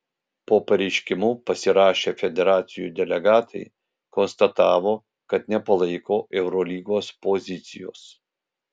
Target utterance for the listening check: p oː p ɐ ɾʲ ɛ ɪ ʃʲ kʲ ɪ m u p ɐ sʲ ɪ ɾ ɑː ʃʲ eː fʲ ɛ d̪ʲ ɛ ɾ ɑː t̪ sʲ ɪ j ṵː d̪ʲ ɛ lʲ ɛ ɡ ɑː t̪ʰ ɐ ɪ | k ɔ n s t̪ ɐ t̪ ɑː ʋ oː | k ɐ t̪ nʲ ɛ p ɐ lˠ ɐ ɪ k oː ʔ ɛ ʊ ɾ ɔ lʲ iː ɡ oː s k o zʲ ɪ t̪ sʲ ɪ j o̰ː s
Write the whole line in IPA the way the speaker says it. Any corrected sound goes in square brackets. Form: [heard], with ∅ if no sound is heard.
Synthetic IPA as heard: p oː p ɐ ɾʲ ɛ ɪ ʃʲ kʲ ɪ m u p ɐ sʲ ɪ ɾ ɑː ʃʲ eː fʲ ɛ d̪ʲ ɛ ɾ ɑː t̪ sʲ ɪ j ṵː d̪ʲ ɛ lʲ ɛ ɡ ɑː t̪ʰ ɐ ɪ | k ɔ n s t̪ ɐ t̪ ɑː ʋ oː | k ɐ t̪ nʲ ɛ p ɐ lˠ ɐ ɪ k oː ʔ ɛ ʊ ɾ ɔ lʲ iː ɡ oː s [p] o zʲ ɪ t̪ sʲ ɪ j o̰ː s